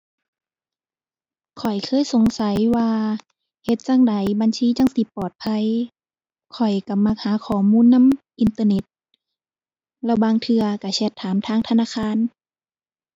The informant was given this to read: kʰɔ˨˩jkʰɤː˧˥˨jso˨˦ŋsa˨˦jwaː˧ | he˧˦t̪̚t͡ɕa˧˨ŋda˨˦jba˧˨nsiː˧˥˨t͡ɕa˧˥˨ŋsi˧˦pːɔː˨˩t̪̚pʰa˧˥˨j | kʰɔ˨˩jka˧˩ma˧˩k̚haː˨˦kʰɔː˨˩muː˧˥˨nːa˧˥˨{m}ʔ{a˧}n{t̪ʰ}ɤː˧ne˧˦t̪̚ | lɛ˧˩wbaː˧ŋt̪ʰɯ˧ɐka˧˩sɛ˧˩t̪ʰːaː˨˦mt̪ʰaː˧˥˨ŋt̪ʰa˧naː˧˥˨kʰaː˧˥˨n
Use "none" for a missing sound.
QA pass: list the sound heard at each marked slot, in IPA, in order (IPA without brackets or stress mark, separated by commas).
m, i˧, t̪